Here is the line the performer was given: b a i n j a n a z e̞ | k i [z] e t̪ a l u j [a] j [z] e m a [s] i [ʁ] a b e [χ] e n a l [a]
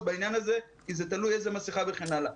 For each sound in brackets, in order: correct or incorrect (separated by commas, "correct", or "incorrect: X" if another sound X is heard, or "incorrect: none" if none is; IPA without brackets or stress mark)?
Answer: correct, incorrect: e, correct, correct, incorrect: χ, correct, correct